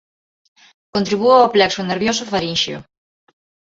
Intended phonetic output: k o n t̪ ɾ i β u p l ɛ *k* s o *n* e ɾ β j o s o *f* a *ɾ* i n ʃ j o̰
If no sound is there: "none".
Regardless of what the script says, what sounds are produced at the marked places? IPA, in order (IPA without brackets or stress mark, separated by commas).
k, n, f, ɾ